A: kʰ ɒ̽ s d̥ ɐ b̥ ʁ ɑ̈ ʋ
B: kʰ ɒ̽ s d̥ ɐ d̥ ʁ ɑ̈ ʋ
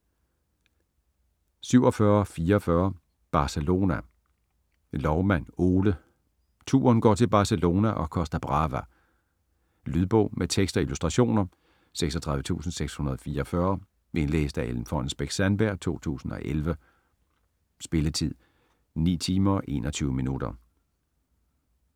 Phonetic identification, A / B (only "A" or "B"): A